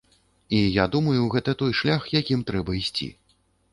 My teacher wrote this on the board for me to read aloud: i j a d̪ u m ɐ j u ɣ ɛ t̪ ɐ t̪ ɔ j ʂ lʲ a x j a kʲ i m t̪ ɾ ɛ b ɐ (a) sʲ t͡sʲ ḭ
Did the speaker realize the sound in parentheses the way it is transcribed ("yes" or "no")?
no